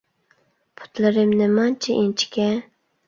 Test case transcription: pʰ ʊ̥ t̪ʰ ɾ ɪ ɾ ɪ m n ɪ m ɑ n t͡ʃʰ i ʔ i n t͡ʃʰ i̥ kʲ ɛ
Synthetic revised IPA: pʰ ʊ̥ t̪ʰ l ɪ ɾ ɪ m n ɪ m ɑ n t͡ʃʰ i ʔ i n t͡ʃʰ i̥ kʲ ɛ